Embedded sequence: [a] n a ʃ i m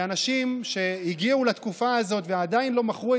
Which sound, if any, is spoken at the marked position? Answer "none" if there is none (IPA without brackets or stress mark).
a